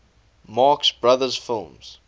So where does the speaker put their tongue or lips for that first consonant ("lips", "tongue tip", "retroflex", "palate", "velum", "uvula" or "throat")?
lips